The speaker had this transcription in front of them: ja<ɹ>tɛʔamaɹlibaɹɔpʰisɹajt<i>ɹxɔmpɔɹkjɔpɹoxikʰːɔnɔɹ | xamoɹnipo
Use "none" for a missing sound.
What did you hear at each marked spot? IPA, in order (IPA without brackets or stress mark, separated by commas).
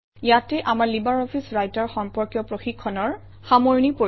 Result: none, a